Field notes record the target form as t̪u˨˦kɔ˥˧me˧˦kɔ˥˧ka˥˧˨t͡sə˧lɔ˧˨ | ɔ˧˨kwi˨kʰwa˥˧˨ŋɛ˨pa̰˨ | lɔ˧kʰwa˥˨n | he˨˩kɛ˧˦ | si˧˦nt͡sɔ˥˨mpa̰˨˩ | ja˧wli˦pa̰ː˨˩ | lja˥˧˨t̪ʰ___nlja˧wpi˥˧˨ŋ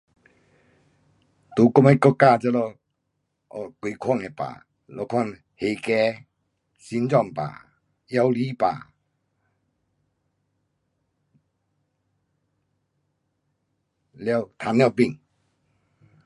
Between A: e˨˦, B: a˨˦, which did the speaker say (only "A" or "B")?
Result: B